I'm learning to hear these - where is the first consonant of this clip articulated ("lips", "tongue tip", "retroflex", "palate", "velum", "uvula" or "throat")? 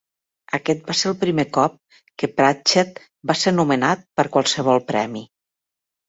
velum